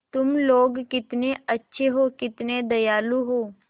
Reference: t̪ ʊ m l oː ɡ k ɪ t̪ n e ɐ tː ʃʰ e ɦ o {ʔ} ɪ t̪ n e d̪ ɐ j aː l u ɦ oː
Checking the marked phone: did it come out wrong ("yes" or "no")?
yes